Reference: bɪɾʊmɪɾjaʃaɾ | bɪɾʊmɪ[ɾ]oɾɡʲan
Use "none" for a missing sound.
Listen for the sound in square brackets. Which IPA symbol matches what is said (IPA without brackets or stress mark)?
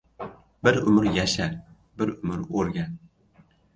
ɾ